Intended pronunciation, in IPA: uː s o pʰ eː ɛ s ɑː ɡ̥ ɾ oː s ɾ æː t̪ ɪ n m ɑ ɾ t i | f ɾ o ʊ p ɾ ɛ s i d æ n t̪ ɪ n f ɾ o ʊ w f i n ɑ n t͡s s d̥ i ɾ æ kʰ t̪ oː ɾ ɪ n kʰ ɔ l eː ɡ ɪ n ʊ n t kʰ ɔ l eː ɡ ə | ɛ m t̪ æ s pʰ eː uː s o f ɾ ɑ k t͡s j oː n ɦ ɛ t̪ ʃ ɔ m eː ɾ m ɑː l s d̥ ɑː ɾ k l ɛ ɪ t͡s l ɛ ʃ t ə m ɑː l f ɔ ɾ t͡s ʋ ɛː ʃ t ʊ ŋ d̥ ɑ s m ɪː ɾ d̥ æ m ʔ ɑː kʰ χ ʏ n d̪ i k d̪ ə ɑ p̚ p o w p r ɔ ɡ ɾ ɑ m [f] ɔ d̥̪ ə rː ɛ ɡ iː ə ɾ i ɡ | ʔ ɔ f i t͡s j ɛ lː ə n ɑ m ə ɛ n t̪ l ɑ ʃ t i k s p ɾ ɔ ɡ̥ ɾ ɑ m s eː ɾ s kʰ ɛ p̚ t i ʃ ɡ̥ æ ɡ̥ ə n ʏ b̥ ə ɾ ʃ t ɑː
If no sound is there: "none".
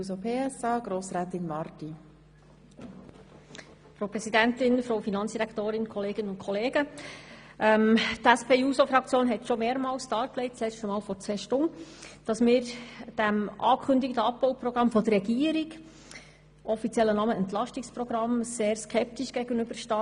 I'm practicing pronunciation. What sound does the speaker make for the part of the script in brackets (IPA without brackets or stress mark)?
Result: f